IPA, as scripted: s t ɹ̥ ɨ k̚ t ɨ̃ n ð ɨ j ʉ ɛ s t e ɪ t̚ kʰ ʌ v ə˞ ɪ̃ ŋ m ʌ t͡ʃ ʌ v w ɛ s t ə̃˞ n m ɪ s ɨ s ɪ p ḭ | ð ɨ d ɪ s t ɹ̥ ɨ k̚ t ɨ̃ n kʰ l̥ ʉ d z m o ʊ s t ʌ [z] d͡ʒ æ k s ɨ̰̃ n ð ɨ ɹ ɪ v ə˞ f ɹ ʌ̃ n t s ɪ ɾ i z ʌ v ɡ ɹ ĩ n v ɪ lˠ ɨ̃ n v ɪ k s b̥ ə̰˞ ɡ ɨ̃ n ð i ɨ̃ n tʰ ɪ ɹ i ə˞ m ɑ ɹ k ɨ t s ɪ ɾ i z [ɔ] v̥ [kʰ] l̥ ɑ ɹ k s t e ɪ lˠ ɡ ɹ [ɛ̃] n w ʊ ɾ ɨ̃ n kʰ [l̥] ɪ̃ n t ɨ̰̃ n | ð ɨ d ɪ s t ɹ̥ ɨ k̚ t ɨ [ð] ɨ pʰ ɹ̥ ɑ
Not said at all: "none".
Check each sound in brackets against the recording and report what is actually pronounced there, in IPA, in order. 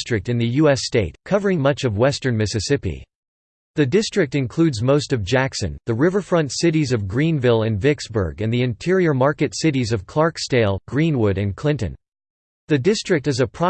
v, ʌ, kʰ, ĩ, l̥, z

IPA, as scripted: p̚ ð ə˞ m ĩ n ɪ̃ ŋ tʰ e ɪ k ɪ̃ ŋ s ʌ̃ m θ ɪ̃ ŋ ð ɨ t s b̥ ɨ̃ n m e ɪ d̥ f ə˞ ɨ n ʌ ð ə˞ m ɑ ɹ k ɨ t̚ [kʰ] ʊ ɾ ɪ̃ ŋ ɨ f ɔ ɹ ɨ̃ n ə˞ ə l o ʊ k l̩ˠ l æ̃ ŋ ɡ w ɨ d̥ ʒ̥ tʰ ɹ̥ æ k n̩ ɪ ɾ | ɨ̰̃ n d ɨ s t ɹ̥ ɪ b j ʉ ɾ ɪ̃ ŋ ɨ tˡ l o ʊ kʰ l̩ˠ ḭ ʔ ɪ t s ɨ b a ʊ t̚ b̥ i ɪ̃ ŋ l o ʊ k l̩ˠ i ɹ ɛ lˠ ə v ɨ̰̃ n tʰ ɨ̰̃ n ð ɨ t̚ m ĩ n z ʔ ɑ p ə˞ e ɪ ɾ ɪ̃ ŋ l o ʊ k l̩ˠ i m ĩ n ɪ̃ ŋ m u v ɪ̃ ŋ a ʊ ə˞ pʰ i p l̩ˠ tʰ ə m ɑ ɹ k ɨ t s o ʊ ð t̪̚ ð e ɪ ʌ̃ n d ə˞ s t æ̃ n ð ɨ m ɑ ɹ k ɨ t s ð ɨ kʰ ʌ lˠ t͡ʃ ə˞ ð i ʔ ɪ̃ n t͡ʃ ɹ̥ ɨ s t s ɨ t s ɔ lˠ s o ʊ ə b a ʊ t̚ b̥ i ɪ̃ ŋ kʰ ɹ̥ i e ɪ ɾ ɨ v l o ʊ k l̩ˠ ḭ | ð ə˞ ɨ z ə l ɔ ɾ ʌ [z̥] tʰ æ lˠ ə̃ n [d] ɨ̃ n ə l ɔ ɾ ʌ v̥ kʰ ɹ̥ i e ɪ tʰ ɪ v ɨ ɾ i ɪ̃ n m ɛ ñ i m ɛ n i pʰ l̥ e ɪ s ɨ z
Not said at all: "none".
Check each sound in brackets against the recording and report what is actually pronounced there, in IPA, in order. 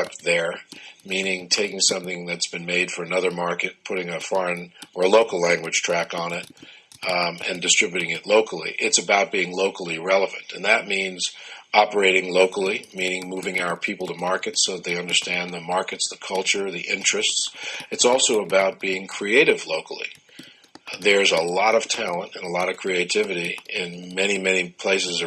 pʰ, v̥, t

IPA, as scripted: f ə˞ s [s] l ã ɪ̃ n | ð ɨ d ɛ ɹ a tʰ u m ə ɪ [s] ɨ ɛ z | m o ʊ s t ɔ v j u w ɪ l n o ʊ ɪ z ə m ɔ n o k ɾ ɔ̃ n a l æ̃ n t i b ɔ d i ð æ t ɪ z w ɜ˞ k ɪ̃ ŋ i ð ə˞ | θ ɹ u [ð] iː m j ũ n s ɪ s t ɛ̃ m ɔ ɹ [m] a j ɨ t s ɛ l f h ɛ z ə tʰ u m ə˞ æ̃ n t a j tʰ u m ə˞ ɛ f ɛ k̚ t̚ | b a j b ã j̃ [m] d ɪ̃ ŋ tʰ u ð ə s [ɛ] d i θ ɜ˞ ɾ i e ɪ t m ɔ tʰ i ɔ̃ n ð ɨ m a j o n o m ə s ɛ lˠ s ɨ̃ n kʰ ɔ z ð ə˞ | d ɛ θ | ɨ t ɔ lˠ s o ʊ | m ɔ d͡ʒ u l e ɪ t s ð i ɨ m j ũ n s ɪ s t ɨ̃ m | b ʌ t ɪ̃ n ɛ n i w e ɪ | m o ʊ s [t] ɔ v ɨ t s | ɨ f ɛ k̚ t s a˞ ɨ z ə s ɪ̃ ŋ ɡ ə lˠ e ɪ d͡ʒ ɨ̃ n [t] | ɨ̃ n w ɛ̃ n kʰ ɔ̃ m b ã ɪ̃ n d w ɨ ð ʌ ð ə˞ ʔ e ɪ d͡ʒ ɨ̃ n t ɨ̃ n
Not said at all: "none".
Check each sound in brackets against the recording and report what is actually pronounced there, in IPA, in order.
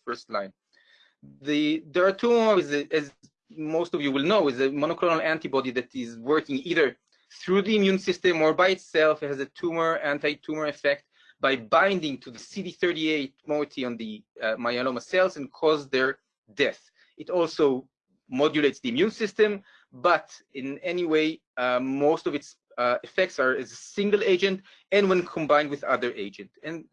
t, z, ð, b, n, i, t, t

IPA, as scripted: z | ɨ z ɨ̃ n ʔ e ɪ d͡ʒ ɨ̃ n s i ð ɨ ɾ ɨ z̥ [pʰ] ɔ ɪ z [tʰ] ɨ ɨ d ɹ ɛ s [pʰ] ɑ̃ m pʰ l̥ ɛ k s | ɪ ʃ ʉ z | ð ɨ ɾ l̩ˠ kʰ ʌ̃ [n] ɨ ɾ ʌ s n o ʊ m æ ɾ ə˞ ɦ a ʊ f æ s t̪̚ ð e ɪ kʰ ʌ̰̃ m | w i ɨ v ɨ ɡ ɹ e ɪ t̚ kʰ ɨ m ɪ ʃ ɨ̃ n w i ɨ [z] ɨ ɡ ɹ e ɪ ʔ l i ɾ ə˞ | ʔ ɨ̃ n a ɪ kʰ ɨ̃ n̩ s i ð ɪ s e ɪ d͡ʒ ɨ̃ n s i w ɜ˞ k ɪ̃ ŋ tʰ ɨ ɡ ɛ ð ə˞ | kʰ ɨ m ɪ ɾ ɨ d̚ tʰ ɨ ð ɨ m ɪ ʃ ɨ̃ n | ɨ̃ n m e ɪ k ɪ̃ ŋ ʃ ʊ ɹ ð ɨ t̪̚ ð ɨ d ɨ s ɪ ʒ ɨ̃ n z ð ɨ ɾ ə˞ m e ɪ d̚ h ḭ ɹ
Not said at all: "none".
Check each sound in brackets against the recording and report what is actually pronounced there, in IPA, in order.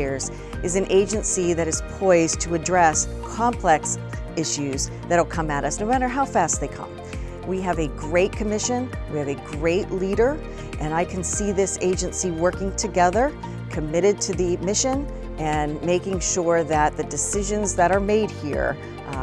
pʰ, tʰ, kʰ, m, v

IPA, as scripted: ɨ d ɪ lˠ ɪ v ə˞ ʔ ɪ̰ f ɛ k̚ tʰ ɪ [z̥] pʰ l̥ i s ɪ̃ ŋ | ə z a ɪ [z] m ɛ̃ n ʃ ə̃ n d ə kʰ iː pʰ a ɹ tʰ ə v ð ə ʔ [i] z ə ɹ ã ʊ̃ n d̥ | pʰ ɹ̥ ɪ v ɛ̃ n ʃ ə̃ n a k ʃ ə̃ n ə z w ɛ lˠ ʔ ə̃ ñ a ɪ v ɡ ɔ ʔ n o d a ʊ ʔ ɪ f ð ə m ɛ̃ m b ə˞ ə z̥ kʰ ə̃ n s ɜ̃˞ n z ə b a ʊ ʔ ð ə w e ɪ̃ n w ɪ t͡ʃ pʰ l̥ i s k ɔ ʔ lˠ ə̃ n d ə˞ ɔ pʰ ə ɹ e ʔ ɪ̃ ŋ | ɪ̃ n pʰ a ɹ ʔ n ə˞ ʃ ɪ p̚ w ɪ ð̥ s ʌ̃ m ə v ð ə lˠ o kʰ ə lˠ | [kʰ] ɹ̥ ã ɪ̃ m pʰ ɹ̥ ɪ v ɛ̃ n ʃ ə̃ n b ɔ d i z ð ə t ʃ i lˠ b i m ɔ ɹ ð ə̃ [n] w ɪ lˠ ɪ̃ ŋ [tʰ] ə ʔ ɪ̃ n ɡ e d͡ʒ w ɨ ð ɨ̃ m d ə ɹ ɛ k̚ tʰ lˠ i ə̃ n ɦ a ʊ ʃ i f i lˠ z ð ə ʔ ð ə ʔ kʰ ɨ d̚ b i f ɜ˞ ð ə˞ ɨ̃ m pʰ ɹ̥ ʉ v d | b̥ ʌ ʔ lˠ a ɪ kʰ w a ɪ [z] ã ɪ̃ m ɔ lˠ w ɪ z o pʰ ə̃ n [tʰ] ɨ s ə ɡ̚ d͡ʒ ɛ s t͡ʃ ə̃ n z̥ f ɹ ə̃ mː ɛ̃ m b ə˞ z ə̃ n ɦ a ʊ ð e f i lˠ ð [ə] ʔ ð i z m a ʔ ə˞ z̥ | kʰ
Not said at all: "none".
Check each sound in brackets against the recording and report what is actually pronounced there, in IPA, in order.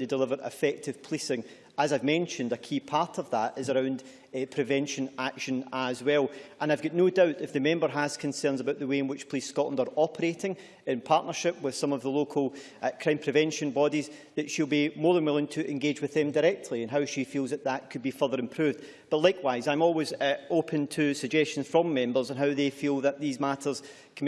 v̥, v, ɪ, kʰ, n, tʰ, z, tʰ, ə

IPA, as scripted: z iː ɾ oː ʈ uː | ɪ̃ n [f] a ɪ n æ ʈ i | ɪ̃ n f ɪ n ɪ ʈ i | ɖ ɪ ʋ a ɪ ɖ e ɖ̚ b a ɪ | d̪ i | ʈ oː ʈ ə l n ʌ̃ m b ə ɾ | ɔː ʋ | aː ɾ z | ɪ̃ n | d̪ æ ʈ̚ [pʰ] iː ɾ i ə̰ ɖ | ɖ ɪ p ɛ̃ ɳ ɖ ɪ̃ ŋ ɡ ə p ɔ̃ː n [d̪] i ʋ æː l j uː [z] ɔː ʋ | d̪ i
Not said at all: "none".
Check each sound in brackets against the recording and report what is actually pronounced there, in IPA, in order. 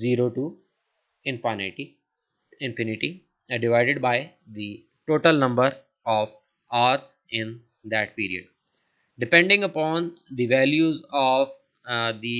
f, p, d̪, z

